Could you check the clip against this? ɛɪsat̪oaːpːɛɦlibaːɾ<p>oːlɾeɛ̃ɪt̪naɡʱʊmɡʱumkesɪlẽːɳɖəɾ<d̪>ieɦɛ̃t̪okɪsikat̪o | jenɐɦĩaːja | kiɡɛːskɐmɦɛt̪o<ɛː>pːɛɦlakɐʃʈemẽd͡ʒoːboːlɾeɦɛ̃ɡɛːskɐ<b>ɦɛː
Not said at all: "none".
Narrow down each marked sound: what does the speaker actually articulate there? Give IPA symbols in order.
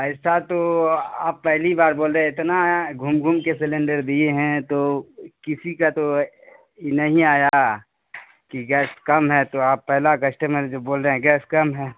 b, d̪, aː, m

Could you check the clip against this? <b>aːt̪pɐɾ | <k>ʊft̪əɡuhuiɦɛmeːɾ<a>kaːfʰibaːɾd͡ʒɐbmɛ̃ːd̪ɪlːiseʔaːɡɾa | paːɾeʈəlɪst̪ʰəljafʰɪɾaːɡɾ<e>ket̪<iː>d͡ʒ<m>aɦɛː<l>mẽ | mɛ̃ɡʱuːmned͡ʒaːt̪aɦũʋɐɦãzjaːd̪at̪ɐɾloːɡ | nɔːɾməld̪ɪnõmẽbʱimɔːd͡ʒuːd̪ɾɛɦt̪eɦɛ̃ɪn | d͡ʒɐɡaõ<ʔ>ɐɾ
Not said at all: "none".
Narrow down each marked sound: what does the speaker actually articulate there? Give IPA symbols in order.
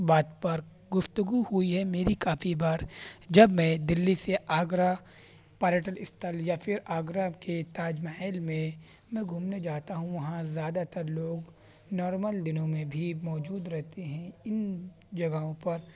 b, ɡ, i, a, aː, m, l, p

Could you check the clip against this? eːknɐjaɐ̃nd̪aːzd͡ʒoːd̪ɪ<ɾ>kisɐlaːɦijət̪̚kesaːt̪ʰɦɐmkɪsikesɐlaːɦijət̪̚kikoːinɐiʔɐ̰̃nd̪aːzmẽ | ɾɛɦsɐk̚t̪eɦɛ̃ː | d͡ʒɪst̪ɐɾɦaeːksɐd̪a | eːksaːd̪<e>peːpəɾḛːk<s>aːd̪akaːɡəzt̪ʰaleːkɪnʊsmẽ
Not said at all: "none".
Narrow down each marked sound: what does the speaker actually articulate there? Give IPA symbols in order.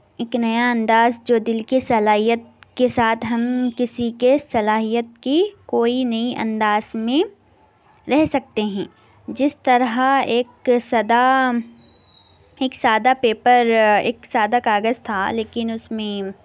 l, a, s

